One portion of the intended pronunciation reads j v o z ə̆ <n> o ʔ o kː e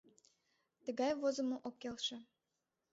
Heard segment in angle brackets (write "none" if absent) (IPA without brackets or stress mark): m